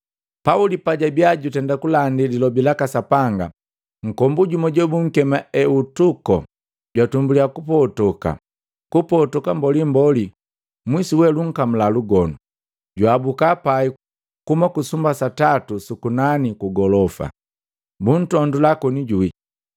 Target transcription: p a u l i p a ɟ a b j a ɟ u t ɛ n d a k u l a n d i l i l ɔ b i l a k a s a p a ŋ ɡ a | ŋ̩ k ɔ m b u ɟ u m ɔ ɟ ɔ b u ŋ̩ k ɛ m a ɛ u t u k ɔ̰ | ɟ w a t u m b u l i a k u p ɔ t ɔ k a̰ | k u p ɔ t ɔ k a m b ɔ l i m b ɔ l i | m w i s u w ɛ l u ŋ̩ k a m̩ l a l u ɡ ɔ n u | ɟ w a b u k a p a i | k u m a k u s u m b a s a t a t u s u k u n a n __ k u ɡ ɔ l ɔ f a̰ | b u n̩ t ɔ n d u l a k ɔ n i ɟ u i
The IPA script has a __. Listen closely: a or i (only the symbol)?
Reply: i